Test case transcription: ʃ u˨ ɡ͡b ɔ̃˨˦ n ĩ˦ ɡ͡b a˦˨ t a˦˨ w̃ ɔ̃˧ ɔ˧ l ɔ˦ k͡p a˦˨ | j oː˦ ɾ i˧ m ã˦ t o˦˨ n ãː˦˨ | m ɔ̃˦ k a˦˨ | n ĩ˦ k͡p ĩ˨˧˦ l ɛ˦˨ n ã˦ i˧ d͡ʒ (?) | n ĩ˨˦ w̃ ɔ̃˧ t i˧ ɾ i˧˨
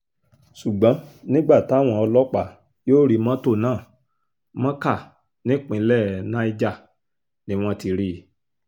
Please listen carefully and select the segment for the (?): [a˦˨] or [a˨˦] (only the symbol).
a˦˨